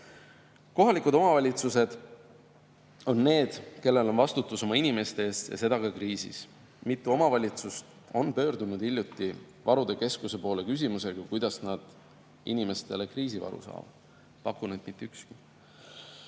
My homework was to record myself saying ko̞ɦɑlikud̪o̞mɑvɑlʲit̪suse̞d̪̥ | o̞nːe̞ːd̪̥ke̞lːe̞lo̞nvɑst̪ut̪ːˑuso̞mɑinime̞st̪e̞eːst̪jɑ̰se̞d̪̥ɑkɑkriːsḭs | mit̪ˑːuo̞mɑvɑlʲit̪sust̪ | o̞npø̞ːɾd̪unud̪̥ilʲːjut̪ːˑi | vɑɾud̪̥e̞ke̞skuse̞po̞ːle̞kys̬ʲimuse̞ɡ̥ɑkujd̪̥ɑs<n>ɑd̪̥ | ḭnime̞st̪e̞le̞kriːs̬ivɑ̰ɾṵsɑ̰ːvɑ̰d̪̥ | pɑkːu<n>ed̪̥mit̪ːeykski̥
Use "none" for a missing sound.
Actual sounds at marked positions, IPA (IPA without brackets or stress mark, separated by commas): n, n